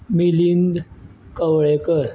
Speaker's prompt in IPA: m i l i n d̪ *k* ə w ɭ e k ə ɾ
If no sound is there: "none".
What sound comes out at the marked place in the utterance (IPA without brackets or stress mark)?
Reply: k